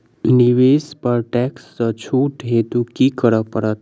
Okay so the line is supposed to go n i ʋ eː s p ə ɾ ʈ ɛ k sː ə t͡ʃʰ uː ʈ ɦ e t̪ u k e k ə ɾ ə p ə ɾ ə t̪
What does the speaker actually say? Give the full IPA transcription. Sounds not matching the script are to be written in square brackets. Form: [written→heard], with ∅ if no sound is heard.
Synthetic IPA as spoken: n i ʋ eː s p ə ɾ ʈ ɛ k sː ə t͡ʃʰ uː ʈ ɦ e t̪ u k [e→i] k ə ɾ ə p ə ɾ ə t̪